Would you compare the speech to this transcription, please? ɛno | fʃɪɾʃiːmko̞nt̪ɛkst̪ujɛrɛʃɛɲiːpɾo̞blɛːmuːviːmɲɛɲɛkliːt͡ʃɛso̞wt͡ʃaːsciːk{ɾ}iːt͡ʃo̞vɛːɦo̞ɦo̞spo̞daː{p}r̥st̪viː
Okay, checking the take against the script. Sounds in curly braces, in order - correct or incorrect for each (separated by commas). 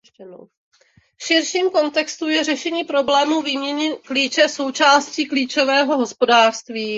incorrect, incorrect